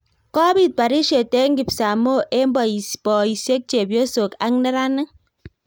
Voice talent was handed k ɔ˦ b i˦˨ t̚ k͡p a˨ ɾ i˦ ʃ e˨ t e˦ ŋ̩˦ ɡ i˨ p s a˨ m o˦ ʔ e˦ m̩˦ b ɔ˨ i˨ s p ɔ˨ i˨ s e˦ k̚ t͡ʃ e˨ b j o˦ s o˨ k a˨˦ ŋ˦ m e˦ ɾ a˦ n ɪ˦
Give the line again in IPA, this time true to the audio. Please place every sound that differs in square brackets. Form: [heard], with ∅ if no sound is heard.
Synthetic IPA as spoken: k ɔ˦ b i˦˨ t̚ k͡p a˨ ɾ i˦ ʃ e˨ t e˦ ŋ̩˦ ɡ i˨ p s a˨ m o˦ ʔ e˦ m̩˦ b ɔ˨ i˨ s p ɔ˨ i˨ s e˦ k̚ t͡ʃ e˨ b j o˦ s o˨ k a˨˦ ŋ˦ [n] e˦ ɾ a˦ n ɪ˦